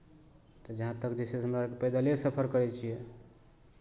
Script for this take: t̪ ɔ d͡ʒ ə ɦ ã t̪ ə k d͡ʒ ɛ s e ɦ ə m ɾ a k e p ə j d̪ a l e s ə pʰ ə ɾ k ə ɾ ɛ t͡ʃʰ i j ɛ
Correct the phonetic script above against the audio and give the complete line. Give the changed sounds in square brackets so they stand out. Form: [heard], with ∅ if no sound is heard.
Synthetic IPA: t̪ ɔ d͡ʒ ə ɦ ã t̪ ə k d͡ʒ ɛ s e ɦ ə m ɾ a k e p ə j d̪ a l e s ə pʰ ə ɾ k ə ɾ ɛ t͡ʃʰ i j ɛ